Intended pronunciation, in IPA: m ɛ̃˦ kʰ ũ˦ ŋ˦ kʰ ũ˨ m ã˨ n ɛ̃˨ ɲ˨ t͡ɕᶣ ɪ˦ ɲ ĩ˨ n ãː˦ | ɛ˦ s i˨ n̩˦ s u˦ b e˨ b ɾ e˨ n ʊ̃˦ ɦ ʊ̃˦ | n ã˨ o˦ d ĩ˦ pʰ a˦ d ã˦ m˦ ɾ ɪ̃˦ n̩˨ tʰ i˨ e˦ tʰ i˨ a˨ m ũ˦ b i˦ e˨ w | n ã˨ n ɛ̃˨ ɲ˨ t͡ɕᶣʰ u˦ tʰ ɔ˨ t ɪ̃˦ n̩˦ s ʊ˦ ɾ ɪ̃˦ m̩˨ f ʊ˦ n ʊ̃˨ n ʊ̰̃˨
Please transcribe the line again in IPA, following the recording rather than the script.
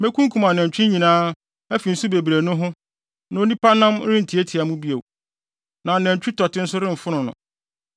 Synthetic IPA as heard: m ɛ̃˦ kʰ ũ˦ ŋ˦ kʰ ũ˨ m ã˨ n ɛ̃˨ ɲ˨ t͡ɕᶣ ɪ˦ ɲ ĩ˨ n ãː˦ | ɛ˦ f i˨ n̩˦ s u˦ b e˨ b ɾ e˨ n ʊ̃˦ ɦ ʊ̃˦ | n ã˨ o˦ n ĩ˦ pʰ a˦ n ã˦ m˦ ɾ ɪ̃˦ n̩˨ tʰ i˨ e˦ tʰ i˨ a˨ m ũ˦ b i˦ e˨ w | n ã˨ n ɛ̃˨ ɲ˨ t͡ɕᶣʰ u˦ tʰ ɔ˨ t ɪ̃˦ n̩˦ s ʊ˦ ɾ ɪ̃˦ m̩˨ f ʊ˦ n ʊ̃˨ n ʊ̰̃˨

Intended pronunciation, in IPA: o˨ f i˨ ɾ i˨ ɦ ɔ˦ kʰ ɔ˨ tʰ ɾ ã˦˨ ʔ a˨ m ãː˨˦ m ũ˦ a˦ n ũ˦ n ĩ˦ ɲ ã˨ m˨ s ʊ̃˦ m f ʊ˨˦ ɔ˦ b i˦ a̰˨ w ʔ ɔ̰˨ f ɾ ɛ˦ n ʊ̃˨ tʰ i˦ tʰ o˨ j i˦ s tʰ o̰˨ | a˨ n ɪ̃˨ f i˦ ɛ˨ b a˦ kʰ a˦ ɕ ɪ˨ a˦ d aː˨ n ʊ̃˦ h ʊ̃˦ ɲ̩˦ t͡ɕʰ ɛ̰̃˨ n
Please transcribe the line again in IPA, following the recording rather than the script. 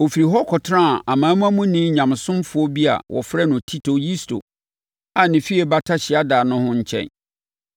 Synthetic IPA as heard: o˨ f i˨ ɾ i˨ ɦ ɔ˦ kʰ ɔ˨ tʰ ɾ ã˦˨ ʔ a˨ m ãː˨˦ m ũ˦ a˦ m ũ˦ n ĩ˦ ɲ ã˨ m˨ s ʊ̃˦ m f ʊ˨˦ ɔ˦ b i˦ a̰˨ w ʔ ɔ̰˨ f ɾ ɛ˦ n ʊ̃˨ tʰ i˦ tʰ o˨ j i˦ s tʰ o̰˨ | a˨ n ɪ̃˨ f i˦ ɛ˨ b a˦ tʰ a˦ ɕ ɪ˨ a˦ d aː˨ n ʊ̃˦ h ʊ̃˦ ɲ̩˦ t͡ɕʰ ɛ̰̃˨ n

